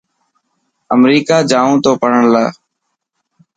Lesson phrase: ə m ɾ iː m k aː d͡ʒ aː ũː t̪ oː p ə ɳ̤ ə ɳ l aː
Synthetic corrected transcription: ə m ɾ iː k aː d͡ʒ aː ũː t̪ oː p ə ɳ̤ ə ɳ l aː

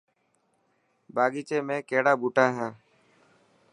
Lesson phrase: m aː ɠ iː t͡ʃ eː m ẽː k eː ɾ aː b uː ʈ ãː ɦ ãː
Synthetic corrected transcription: b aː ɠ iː t͡ʃ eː m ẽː k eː ɽ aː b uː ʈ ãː ɦ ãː

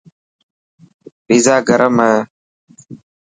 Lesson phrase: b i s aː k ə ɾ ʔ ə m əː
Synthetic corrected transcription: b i z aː ɡ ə ɾ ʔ ə m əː

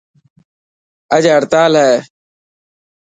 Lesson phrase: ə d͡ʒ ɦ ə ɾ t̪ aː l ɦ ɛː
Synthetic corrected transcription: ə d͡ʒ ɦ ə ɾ t̪ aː l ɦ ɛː

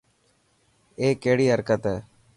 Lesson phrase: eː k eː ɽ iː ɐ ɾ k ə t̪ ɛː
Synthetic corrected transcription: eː k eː ɽ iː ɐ ɾ k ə t̪ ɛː

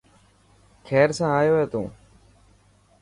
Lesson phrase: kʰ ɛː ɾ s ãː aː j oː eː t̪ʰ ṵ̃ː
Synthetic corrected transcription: kʰ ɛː ɾ s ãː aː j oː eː t̪ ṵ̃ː

